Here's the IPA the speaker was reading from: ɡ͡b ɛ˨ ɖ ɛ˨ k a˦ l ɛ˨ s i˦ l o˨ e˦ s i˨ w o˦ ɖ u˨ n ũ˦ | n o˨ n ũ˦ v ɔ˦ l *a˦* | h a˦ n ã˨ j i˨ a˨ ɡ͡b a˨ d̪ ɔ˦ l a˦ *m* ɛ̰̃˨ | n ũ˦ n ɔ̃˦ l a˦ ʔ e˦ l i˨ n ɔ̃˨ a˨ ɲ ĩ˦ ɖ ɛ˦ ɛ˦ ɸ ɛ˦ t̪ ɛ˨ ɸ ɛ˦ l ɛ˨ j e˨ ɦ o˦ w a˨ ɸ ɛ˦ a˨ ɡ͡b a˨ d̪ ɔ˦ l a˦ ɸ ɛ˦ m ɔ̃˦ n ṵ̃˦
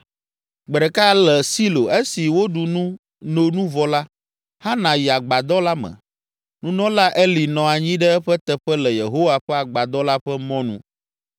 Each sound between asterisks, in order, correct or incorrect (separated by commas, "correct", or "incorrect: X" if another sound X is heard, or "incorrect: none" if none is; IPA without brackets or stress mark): correct, correct